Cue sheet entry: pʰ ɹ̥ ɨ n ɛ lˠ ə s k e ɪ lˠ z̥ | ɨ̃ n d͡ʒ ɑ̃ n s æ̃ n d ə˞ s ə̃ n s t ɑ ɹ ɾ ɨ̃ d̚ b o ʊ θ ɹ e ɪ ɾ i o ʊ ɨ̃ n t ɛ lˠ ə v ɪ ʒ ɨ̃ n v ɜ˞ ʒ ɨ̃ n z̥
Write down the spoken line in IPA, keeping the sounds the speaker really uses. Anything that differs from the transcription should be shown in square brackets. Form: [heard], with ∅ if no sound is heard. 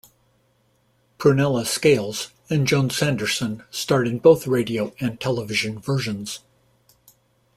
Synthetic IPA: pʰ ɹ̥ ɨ n ɛ lˠ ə s k e ɪ lˠ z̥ | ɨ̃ n d͡ʒ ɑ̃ n s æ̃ n d ə˞ s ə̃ n s t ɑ ɹ ɾ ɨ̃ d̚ b o ʊ θ ɹ e ɪ ɾ i o ʊ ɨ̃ n [tʰ] ɛ lˠ ə v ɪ ʒ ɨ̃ n v ɜ˞ ʒ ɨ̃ n z̥